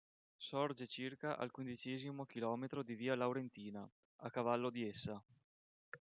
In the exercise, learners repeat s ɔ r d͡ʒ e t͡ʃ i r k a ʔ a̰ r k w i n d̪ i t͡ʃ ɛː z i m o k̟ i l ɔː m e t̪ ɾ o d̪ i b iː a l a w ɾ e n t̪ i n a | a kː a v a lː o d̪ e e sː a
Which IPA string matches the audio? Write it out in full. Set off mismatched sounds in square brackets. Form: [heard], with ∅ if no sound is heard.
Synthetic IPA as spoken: s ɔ r d͡ʒ e t͡ʃ i r k a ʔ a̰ [l] k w i n d̪ i t͡ʃ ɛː z i m o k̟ i l ɔː m e t̪ ɾ o d̪ i [v] iː a l a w ɾ e n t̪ [iː] n a | a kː a v a lː o d̪ [i] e sː a